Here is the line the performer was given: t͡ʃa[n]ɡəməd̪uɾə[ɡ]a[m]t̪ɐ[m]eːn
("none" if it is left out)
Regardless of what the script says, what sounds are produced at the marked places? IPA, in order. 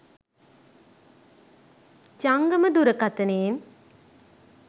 ŋ, k, none, n

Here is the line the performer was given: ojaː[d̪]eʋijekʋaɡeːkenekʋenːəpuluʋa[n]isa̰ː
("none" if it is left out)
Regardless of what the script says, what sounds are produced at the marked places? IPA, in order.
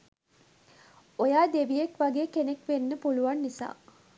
d̪, nː

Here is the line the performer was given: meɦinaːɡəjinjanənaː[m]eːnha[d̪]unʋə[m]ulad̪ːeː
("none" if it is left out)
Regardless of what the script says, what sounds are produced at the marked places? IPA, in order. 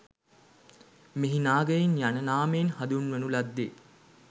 m, d̪, n

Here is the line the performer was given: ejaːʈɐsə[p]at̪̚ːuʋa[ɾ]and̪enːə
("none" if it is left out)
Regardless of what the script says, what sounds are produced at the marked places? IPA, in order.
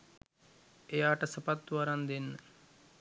p, ɾ

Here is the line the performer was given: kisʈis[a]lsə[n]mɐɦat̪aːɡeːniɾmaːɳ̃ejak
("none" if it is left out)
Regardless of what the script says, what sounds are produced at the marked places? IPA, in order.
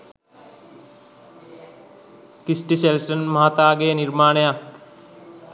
e, n

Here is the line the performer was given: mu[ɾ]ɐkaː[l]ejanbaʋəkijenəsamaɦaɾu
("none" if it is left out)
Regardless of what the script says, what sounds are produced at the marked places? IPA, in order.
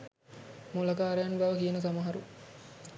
l, ɾ

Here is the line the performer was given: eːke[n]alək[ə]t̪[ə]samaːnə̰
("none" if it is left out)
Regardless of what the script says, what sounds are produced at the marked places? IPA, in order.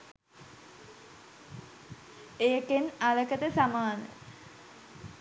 n, ə, ə

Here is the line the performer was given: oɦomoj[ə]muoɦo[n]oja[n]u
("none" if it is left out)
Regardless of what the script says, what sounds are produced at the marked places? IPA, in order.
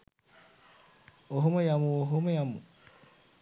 a, m, m

